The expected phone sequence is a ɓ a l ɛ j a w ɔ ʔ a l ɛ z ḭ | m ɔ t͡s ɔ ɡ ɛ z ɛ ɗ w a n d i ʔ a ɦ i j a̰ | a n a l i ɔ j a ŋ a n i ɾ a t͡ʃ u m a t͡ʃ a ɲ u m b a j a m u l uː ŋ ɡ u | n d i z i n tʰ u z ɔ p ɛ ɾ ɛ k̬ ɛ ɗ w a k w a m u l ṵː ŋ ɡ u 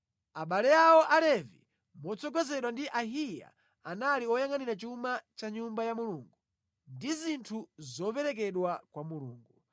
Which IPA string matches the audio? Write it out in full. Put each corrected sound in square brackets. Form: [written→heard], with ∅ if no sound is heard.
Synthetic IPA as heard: a ɓ a l ɛ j a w ɔ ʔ a l ɛ [z→v] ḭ | m ɔ t͡s ɔ ɡ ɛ z ɛ ɗ w a n d i ʔ a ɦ i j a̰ | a n a l i ɔ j a ŋ a n i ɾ a t͡ʃ u m a t͡ʃ a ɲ u m b a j a m u l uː ŋ ɡ u | n d i z i n tʰ u z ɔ p ɛ ɾ ɛ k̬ ɛ ɗ w a k w a m u l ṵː ŋ ɡ u